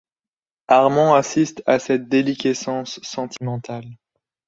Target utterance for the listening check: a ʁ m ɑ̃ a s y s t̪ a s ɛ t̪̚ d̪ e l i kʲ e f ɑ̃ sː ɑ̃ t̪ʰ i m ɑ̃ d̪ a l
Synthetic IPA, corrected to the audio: a ʁ m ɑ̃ a s i s t̪ a s ɛ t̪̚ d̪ e l i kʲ e s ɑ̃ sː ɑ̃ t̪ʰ i m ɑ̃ t̪ a l